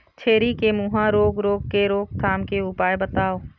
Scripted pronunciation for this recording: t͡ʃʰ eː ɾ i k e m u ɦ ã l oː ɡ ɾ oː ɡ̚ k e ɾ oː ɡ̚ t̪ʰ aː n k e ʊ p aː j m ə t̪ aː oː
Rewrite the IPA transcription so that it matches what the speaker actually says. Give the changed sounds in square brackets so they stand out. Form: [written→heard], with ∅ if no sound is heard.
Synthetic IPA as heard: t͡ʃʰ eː ɾ i k e m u ɦ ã [l→ɾ] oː ɡ ɾ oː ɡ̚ k e ɾ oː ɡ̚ t̪ʰ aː [n→m] k e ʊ p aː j [m→b] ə t̪ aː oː